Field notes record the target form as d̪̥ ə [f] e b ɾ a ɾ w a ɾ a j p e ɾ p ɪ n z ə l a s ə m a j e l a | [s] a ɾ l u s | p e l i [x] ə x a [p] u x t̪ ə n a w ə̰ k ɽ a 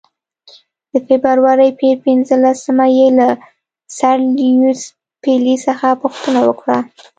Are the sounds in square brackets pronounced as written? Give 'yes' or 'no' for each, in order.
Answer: yes, yes, no, yes

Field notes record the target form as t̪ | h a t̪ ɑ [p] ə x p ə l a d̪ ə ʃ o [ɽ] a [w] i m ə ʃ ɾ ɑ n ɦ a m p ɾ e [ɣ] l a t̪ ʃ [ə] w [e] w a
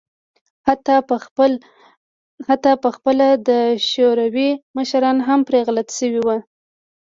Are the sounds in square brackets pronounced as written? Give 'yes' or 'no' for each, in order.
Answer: yes, no, yes, yes, yes, no

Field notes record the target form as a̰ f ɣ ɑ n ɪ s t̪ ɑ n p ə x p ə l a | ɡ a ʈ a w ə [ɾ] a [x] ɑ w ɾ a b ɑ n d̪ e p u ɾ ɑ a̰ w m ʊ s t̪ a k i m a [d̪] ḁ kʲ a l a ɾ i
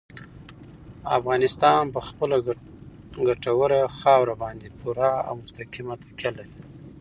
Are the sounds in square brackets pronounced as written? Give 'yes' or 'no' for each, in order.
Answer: yes, yes, no

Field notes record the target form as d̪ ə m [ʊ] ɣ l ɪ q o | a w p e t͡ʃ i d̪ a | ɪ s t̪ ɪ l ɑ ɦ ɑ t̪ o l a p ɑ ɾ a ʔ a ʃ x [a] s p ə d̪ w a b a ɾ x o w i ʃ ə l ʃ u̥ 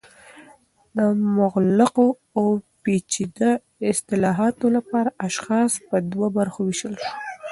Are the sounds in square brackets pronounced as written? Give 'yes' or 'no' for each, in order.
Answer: yes, no

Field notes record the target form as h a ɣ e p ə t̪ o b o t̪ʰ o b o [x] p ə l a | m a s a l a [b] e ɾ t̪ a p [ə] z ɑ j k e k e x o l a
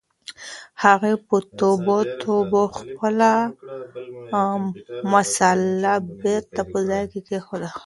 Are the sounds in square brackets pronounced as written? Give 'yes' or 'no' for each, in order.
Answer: yes, yes, yes

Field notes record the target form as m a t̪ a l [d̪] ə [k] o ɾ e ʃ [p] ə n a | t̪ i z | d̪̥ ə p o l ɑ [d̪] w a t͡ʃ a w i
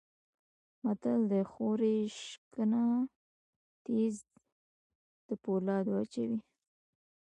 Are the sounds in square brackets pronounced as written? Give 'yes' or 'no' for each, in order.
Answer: yes, no, no, yes

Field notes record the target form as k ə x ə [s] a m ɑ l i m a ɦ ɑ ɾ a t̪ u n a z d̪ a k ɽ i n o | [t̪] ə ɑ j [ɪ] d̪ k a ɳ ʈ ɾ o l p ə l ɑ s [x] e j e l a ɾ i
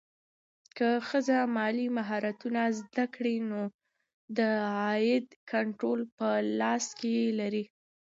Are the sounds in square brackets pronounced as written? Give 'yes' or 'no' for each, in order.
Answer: no, no, yes, no

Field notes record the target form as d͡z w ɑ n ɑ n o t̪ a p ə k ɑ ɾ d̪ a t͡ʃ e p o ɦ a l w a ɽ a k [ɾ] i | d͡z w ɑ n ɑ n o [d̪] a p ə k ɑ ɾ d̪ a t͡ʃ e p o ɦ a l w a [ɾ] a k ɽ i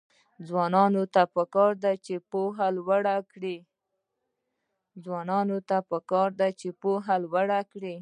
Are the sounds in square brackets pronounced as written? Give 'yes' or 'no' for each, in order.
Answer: no, no, no

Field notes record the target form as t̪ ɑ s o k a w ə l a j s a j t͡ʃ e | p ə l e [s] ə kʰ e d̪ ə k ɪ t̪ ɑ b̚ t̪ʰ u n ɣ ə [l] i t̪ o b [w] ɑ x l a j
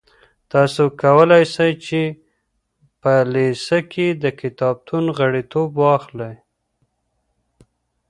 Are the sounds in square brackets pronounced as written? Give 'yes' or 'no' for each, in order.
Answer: yes, no, yes

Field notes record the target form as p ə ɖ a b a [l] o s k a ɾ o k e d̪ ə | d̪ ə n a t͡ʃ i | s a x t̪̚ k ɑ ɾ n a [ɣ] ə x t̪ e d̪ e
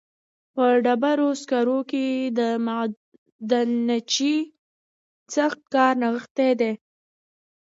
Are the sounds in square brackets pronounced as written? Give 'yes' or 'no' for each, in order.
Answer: no, yes

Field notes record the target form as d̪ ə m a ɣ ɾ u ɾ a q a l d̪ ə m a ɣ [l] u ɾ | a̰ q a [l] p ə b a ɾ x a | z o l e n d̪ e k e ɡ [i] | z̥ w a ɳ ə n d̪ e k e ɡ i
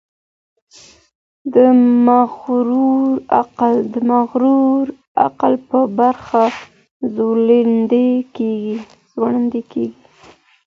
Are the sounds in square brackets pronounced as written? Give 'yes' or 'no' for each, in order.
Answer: no, yes, yes

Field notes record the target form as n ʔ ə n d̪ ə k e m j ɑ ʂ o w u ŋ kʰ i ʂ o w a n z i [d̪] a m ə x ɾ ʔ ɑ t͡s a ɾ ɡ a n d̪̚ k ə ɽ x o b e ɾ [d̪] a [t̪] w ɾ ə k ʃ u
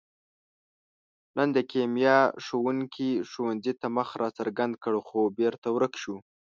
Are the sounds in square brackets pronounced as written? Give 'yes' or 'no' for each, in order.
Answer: no, no, no

